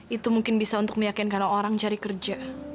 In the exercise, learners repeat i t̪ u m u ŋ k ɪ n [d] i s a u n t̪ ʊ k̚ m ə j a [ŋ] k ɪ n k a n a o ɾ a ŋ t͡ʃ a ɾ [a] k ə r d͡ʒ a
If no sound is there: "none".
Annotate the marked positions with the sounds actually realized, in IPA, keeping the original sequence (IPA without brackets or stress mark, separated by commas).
b, none, i